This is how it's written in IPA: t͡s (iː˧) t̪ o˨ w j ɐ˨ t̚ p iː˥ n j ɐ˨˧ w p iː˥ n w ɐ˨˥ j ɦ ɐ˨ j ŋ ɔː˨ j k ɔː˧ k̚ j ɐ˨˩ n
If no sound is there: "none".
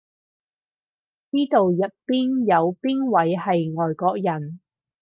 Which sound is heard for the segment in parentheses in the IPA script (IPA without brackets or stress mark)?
iː˥